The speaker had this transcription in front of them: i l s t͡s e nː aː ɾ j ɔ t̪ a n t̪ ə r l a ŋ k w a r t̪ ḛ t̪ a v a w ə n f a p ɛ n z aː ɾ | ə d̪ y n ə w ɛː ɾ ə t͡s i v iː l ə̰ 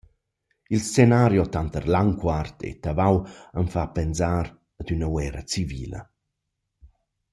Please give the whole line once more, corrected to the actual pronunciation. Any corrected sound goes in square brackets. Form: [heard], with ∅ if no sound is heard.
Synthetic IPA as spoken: i l s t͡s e [n] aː ɾ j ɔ t̪ a n t̪ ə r l a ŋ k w a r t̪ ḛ t̪ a v a w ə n f a p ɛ n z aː ɾ | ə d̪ y n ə w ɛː ɾ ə t͡s i v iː l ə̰